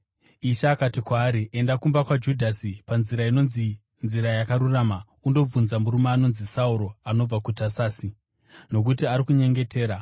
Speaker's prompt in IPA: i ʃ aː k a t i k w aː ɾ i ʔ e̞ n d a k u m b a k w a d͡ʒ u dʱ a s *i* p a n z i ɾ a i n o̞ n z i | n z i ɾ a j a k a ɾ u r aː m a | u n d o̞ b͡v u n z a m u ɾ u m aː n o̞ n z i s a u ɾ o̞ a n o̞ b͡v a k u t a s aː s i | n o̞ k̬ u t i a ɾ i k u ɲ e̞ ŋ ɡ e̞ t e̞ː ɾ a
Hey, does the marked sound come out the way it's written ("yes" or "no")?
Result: yes